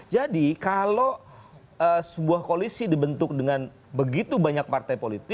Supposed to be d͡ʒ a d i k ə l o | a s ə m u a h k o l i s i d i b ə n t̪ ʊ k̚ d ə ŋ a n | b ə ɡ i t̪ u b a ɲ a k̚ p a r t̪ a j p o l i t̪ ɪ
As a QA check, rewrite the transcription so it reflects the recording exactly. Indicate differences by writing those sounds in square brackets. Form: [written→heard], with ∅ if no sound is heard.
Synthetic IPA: d͡ʒ a d i k [ə→a] l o | [a→ə] s ə [m→b] u a h k o l i s i d i b ə n t̪ ʊ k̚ d ə ŋ a n | b ə ɡ i t̪ u b a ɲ a k̚ p a r t̪ a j p o l i t̪ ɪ

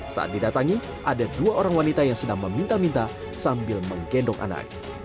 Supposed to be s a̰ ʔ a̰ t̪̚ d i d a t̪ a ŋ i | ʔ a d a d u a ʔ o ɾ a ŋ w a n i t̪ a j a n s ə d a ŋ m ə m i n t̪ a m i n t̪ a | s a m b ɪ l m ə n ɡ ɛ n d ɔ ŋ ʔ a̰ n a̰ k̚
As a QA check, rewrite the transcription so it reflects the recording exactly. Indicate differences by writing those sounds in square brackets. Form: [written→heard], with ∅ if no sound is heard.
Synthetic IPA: s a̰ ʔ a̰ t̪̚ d i d a t̪ a ŋ i | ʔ a d a d u a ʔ o ɾ a ŋ w a n i t̪ a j a [n→ŋ] s ə d a ŋ m ə m i n t̪ a m i n t̪ a | s a m b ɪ l m ə [n→ŋ] ɡ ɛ n d ɔ ŋ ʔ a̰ n a̰ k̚

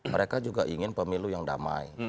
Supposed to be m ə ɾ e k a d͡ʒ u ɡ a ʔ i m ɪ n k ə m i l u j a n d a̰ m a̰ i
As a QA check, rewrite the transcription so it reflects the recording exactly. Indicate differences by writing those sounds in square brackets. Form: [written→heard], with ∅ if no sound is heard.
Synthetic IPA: m ə ɾ e k a d͡ʒ u ɡ a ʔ i [m→ŋ] ɪ n [k→p] ə m i l u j a [n→ŋ] d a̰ m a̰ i

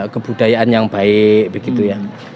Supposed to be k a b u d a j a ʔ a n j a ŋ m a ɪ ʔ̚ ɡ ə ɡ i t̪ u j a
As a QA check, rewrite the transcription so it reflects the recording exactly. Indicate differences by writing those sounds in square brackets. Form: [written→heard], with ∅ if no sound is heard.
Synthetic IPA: k [a→ə] b u d a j a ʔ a n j a ŋ [m→b] a ɪ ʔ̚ [ɡ→b] ə ɡ i t̪ u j a

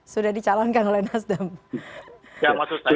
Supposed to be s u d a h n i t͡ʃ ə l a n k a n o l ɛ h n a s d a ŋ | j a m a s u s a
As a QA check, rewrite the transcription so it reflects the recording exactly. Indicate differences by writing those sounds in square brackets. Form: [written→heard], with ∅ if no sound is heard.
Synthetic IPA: s u d a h [n→d] i t͡ʃ [ə→a] l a n k a n o l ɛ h n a s d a [ŋ→m] | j a m a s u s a

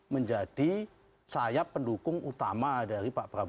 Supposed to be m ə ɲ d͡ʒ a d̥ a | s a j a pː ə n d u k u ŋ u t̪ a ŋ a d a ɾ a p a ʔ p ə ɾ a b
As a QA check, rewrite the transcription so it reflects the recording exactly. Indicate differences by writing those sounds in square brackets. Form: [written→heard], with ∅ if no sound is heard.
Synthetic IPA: m ə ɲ d͡ʒ a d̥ [a→i] | s a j a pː ə n d u k [u→ʊ] ŋ u t̪ a [ŋ→m] a d a ɾ [a→i] p a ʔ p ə ɾ a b

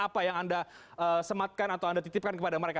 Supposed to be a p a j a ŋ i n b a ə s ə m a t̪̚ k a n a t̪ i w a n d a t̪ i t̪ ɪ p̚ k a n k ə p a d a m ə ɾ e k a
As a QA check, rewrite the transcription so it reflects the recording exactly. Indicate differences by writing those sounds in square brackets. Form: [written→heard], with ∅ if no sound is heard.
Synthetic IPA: a p a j a ŋ [i→a] n [b→d] a ə s ə m a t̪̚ k a n a t̪ [i→a] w a n d a t̪ i t̪ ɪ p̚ k a n k ə p a d a m ə ɾ e k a

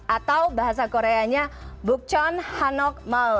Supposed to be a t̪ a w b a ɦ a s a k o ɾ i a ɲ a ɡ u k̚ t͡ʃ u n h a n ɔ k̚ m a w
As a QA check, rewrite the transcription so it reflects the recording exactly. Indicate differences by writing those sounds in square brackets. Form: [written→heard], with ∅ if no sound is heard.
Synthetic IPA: a t̪ a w b a ɦ a s a k o ɾ [i→e] a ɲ a [ɡ→b] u k̚ t͡ʃ [u→ɔ] n h a n ɔ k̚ m a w

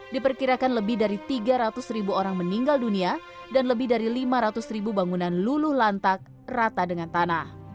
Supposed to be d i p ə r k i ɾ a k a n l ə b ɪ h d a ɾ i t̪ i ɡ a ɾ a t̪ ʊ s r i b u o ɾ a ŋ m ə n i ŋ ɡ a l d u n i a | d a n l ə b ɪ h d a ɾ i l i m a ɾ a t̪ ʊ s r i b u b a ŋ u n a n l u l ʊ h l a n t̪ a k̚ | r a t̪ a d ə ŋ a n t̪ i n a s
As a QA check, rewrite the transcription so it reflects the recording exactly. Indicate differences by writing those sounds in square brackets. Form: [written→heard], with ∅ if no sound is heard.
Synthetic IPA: d i p ə r k i ɾ a k a n l ə b ɪ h d a ɾ i t̪ i ɡ a ɾ a t̪ ʊ s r i b u o ɾ a ŋ m ə n i ŋ ɡ a l d u n i a | d a n l ə b ɪ h d a ɾ i l i m a ɾ a t̪ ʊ s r i b u b a ŋ u n a n l u l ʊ h l a n t̪ a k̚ | r a t̪ a d ə ŋ a n t̪ [i→a] n a [s→h]

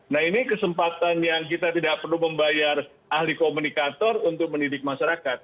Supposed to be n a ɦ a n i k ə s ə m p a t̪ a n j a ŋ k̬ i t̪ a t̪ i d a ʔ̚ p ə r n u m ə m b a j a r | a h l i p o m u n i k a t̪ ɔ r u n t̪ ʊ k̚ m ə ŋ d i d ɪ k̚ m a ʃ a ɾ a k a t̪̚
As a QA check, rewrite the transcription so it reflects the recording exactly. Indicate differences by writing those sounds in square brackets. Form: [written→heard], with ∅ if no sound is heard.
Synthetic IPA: n a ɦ [a→i] n i k ə s ə m p a t̪ a n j a ŋ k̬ i t̪ a t̪ i d a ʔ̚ p ə r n u m ə m b a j a r | a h l i [p→k] o m u n i k a t̪ ɔ r u n t̪ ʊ k̚ m ə [ŋ→n] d i d ɪ k̚ m a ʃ a ɾ a k a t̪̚

